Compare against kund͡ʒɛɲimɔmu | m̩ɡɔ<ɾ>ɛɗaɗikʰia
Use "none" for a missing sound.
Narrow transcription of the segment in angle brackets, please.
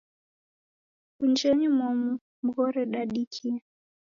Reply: ɾ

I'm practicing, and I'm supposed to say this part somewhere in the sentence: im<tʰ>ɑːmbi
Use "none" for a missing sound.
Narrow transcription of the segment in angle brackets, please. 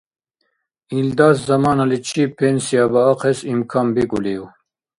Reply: kʰ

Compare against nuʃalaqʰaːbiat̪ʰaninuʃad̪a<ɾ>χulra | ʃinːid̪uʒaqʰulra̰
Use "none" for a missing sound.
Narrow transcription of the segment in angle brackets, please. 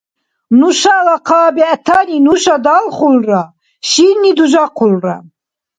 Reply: l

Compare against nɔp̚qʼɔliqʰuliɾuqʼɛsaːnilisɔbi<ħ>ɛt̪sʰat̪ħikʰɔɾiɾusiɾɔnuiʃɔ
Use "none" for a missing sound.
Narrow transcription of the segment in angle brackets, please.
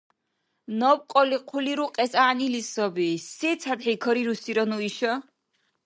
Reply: s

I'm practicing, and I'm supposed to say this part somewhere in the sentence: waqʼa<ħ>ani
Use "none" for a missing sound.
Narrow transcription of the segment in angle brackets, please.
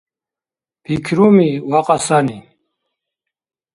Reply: s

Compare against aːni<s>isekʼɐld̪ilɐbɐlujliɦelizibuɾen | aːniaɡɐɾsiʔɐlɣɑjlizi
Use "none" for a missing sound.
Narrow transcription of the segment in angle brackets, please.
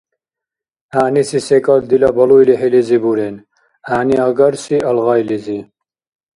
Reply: s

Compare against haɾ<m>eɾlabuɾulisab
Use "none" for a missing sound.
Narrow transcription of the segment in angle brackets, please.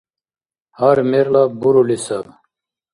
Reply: m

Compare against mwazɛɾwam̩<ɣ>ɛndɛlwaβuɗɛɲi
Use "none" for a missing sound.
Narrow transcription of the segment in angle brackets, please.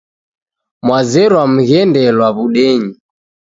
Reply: ɣ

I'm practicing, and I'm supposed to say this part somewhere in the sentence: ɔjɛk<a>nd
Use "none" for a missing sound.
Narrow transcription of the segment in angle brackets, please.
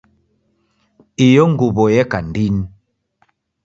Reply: a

